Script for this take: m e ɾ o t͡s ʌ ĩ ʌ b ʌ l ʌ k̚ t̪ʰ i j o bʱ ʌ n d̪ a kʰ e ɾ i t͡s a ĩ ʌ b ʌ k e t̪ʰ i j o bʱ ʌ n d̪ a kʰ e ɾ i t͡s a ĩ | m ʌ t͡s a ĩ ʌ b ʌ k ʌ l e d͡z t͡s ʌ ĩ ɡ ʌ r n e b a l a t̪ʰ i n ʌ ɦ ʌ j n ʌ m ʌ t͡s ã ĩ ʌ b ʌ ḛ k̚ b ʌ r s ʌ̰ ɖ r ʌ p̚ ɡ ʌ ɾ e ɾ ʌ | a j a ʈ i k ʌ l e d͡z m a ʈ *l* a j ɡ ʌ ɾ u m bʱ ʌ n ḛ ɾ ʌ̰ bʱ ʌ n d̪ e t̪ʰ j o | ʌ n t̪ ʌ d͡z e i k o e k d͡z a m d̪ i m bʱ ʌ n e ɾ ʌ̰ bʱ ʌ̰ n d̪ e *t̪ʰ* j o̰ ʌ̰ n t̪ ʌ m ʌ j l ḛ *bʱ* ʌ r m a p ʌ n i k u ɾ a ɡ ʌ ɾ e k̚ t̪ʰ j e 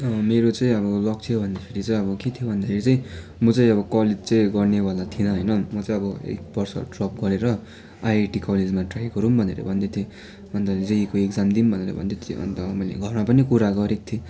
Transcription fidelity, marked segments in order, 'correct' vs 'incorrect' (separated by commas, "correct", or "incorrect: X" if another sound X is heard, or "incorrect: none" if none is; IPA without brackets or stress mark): incorrect: r, correct, incorrect: ɡʱ